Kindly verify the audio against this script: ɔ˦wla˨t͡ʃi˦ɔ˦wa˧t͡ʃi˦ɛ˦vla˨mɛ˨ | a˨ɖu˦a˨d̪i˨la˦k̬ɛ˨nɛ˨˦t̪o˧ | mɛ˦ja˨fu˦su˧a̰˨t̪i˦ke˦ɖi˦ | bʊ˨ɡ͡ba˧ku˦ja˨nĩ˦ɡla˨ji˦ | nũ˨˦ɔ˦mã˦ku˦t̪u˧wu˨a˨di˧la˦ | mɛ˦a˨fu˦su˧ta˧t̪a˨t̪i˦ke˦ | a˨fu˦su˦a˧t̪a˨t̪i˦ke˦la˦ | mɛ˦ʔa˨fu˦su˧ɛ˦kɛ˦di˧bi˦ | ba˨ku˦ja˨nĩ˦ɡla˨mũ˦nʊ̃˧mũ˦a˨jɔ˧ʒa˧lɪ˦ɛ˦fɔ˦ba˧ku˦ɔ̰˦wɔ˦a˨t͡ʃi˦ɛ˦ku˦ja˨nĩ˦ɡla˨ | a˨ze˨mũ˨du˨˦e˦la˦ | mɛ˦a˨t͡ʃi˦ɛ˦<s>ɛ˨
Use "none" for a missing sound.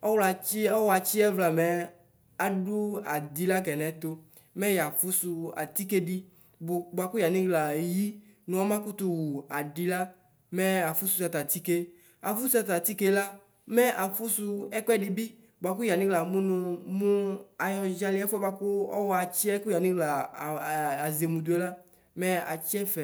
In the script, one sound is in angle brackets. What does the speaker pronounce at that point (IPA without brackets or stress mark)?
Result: f